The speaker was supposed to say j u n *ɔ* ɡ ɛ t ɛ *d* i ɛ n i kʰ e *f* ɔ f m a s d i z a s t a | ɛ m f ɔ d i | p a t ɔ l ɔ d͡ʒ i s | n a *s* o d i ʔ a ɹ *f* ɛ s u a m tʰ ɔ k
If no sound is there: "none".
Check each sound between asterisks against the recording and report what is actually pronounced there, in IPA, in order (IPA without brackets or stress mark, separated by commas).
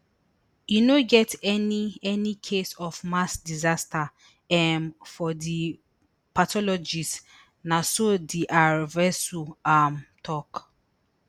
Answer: o, n, s, s, v